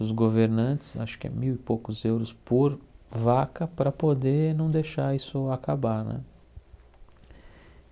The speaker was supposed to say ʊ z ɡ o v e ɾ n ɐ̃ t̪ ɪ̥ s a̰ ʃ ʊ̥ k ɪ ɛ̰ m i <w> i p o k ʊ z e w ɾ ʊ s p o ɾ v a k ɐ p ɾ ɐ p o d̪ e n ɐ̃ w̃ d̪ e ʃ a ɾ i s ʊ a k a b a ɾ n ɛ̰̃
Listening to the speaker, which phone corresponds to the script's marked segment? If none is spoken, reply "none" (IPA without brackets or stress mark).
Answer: w